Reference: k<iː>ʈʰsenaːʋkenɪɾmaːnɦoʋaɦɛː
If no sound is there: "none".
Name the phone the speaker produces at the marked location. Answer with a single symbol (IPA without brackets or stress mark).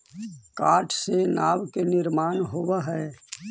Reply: aː